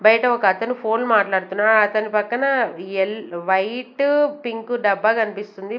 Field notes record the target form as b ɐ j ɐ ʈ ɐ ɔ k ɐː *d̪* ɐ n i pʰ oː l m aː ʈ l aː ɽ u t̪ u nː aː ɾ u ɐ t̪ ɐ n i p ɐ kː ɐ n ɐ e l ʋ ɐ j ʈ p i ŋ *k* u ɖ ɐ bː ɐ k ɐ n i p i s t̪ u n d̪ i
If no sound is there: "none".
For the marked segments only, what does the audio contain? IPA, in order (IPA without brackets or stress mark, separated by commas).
t̪, k